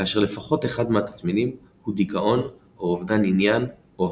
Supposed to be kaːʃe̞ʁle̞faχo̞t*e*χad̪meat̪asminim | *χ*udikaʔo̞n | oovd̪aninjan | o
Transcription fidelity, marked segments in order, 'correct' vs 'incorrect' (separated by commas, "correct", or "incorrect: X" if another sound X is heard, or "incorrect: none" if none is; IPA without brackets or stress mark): correct, incorrect: h